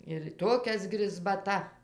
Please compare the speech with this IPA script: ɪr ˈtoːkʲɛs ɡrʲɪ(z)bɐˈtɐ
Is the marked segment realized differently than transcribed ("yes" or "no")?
no